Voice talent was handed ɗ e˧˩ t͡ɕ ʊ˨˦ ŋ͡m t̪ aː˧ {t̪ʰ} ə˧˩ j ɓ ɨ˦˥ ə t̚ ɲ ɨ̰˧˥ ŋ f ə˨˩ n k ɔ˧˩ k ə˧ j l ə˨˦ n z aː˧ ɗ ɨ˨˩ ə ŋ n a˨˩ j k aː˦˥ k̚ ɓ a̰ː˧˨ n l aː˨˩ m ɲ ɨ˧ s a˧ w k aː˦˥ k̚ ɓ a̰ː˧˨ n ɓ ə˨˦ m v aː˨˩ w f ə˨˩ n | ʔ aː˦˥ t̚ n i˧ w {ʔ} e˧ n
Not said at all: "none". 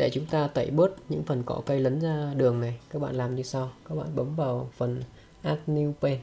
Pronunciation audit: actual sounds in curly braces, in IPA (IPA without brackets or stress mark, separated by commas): t̪, p